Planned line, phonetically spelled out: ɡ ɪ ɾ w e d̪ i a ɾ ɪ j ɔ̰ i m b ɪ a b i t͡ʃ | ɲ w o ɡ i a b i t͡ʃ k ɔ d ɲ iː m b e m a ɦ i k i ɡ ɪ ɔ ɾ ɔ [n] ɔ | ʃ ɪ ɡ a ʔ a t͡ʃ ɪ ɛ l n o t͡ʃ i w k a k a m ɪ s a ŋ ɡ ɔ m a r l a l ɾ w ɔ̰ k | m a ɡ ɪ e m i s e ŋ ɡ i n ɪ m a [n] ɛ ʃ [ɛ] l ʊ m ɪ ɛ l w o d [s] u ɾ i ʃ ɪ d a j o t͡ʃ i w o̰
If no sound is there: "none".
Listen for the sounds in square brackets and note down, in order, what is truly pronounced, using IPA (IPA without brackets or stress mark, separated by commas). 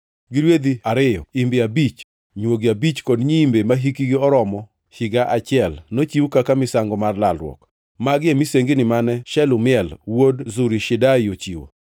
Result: m, n, ɛ, z